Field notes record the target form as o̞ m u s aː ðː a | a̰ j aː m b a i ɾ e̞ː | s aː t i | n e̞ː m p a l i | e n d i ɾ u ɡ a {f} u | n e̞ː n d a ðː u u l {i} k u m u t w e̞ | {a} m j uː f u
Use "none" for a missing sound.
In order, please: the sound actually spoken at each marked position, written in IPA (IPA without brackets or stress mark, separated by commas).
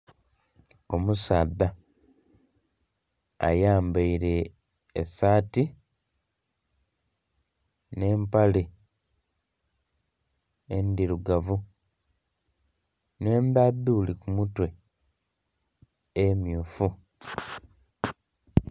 v, i, e